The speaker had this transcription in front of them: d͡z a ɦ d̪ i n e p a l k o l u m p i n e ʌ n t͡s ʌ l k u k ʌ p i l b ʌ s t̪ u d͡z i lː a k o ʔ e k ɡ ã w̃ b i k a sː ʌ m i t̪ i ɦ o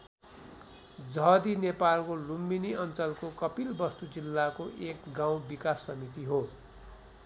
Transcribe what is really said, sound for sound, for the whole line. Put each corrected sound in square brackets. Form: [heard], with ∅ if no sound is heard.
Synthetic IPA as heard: d͡z [ʌ] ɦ d̪ i n e p a l k o l u m [b] i n [i] ʌ n t͡s ʌ l k [o] k ʌ p i l b ʌ s t̪ u d͡z i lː a k o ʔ e k ɡ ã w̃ b i k a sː ʌ m i t̪ i ɦ o